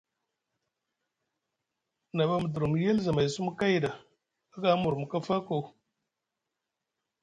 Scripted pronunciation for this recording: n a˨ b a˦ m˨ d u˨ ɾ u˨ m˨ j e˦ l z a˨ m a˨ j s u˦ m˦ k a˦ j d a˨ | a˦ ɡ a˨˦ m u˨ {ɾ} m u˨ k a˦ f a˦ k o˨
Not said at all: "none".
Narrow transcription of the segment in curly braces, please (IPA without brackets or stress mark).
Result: ɾ